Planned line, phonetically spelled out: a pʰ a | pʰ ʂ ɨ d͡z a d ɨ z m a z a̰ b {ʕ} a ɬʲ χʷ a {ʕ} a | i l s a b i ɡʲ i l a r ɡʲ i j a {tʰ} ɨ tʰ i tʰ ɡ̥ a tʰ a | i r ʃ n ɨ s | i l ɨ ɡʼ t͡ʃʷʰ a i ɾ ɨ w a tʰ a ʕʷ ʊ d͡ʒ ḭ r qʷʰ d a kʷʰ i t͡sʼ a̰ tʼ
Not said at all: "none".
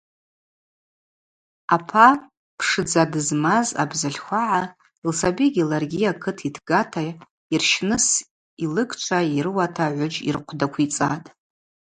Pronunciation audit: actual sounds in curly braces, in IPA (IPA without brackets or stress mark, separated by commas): z, ʕ, kʰ